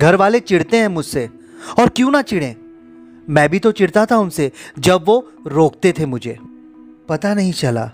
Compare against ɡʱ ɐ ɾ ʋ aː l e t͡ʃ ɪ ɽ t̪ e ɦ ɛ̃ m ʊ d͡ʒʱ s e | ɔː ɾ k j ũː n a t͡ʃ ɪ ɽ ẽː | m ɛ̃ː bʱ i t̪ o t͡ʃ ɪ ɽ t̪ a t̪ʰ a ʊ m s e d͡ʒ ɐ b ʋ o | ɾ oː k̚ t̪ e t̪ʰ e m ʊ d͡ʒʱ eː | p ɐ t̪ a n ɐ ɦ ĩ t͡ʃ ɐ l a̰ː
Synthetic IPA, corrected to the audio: ɡʱ ɐ ɾ ʋ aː l e t͡ʃ ɪ ɽ t̪ e ɦ ɛ̃ m ʊ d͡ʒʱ s e | ɔː ɾ k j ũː n a t͡ʃ ɪ ɽ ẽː | m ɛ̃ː bʱ i t̪ o t͡ʃ ɪ ɽ t̪ a t̪ʰ a ʊ n s e d͡ʒ ɐ b ʋ o | ɾ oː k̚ t̪ e t̪ʰ e m ʊ d͡ʒʱ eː | p ɐ t̪ a n ɐ ɦ ĩ t͡ʃ ɐ l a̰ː